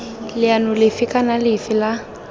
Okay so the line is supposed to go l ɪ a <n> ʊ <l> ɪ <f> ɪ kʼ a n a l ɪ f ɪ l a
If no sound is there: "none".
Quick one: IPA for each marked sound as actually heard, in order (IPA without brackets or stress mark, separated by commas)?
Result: n, l, f